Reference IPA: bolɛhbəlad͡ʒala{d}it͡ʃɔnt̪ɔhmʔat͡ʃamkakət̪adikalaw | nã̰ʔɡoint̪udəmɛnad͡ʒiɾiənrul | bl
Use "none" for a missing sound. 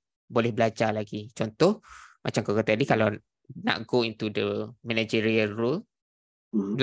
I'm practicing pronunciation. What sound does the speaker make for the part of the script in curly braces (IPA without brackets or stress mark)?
ɡ